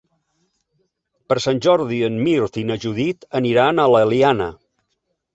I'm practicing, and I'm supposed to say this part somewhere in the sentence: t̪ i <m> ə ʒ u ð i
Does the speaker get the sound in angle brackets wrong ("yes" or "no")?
yes